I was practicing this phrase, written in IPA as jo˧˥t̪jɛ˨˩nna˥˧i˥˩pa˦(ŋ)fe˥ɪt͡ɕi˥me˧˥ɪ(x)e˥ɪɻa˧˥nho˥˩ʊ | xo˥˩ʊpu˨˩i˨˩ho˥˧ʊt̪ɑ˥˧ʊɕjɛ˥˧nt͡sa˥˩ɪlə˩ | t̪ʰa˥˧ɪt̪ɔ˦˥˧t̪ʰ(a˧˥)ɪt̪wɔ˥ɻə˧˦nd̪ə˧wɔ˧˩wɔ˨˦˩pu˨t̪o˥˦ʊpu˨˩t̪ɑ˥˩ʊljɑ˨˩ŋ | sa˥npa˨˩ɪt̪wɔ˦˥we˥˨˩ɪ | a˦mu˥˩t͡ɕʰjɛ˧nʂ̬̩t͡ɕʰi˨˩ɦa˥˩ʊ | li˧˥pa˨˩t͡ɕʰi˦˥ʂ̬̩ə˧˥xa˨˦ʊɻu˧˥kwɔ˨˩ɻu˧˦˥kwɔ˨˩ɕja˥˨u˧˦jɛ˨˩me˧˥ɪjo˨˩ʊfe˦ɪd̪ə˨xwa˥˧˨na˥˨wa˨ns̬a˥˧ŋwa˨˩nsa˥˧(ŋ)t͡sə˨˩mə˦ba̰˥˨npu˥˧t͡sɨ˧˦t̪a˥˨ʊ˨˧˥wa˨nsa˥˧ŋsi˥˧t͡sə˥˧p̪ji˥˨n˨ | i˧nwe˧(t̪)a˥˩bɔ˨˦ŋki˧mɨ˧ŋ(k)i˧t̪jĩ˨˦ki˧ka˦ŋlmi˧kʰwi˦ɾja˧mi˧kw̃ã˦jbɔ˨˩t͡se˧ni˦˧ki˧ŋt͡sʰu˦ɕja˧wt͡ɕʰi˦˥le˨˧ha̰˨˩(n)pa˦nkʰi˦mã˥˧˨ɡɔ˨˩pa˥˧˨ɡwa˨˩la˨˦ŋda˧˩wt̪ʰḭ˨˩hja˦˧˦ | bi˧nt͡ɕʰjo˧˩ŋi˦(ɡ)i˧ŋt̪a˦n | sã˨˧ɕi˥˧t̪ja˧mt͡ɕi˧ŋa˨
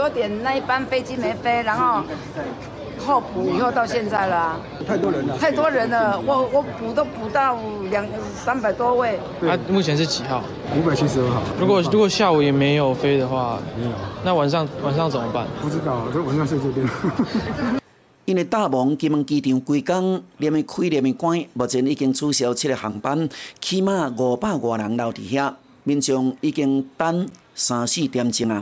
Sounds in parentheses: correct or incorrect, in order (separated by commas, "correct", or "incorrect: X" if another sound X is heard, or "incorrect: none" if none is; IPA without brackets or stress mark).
incorrect: n, incorrect: f, incorrect: a˥˩, correct, correct, correct, incorrect: ŋ, incorrect: k